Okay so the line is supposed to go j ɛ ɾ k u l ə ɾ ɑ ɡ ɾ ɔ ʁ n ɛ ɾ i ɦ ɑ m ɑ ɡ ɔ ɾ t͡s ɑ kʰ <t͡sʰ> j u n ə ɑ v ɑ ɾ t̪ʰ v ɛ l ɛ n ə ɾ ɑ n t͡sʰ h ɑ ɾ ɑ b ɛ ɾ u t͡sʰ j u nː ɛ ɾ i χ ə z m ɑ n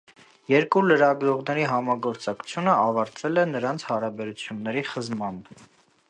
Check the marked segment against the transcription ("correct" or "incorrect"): correct